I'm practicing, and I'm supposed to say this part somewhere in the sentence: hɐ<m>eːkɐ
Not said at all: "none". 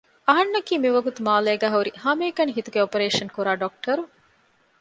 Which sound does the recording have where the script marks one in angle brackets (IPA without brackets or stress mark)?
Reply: m